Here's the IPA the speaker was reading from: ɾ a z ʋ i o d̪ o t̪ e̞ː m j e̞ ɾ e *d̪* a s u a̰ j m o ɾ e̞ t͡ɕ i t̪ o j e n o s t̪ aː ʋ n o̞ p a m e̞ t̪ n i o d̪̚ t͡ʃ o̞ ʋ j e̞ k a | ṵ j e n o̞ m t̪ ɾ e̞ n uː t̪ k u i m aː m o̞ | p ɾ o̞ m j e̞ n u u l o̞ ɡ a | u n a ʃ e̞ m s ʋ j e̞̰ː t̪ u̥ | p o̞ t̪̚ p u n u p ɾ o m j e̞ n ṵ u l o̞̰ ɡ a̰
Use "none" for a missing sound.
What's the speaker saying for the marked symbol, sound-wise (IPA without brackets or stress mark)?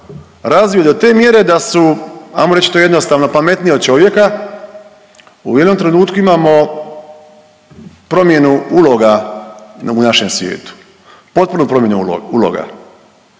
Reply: d̪